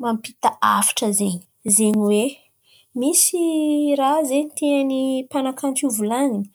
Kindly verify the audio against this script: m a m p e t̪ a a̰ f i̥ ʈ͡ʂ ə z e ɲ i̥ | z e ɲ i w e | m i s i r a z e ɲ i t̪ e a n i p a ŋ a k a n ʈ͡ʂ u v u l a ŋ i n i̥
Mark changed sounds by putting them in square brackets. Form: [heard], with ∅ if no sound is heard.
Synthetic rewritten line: m a m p [i] t̪ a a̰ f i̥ ʈ͡ʂ ə z e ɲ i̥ | z e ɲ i w e | m i s i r a z e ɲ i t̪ e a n i p a [n] a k a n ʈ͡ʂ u v u l a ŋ i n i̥

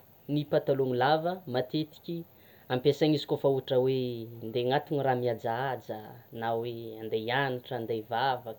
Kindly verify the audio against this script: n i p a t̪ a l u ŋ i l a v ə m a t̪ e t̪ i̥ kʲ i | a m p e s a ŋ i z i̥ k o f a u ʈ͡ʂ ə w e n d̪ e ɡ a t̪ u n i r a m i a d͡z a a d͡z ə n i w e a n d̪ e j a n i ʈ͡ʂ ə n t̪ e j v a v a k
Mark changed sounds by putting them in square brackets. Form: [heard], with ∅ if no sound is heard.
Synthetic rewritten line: n i p a t̪ a l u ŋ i l a v ə m a t̪ e t̪ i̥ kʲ i | a m p e s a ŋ i z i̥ k o f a u ʈ͡ʂ ə w e n d̪ e [ŋ] a t̪ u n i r a m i a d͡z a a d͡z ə n [a] w e a n d̪ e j a n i ʈ͡ʂ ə n [d̪] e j v a v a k

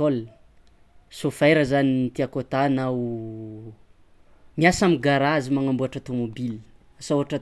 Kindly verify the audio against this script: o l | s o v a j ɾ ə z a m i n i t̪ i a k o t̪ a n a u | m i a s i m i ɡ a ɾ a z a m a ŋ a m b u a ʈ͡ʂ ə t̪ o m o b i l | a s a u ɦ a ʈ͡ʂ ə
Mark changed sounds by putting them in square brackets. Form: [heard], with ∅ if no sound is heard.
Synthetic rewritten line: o l | s o [f] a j ɾ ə z a [n] i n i t̪ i a k o t̪ a n a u | m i a s [a] m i ɡ a ɾ a z [i] m a ŋ a m b u a ʈ͡ʂ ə t̪ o m o b i l | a s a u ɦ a ʈ͡ʂ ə

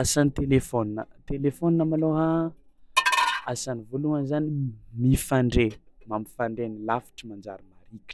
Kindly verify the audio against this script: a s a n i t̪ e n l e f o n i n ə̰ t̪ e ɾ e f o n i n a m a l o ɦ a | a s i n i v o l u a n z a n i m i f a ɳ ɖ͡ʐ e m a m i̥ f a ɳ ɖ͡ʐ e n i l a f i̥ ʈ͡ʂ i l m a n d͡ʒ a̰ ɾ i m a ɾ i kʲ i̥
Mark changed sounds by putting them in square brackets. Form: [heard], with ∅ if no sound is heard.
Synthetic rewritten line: a s a n i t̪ e [∅] l e f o n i n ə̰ t̪ e [l] e f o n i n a m a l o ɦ a | a s [a] n i v o l u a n z a n i m i f a ɳ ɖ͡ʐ e m a m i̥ f a ɳ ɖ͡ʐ e n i l a f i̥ ʈ͡ʂ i [∅] m a n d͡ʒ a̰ ɾ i m a ɾ i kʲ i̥

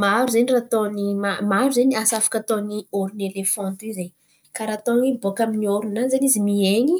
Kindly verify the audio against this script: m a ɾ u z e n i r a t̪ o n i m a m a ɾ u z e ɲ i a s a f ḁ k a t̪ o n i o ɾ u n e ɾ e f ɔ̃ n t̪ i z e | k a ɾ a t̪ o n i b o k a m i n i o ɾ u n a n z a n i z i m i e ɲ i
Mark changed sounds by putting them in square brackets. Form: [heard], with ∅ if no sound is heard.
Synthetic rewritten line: m a ɾ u z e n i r a t̪ o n i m a m a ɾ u z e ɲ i a s a f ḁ k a t̪ o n i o ɾ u n e [l] e f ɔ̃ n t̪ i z e | k a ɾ a t̪ o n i b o k a m i n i o ɾ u n a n z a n i z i m i e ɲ i

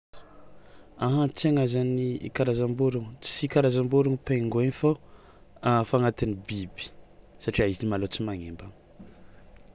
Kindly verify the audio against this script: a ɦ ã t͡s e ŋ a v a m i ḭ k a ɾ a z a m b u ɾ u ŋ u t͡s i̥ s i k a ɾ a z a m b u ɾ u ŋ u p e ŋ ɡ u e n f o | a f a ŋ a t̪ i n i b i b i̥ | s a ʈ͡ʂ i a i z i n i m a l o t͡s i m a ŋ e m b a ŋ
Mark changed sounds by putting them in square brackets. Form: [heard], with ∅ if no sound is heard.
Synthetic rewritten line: a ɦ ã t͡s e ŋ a [z] a [n] i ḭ k a ɾ a z a m b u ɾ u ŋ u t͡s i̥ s i k a ɾ a z a m b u ɾ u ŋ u p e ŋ ɡ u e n f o | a f a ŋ a t̪ i n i b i b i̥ | s a ʈ͡ʂ i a i z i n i m a l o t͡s i m a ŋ e m b a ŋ

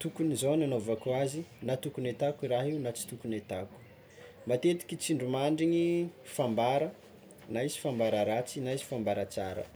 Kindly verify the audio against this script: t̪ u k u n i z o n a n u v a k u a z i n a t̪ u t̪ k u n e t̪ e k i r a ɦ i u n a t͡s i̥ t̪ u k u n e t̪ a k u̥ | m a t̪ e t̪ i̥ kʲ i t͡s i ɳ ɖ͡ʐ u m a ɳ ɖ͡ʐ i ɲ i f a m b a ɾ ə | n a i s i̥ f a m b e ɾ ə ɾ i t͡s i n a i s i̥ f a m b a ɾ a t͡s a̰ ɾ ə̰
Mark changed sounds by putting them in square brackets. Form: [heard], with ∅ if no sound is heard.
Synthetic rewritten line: t̪ u k u n i z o n a n [o] v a k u a z i n a t̪ u [∅] k u n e t̪ [a] k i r a ɦ i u n a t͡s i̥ t̪ u k u n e t̪ a k u̥ | m a t̪ e t̪ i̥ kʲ i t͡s i ɳ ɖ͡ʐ u m a ɳ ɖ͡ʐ i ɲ i f a m b a ɾ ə | n a i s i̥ f a m b [a] ɾ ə ɾ [a] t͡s i n a i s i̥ f a m b a ɾ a t͡s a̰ ɾ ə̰

